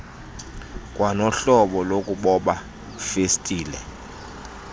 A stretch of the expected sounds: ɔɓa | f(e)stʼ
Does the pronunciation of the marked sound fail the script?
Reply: no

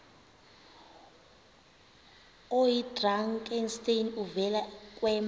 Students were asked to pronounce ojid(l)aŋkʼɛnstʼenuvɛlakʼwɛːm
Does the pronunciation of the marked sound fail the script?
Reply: yes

